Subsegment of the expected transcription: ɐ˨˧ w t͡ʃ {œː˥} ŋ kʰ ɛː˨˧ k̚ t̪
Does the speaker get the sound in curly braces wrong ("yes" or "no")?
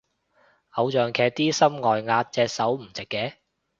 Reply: yes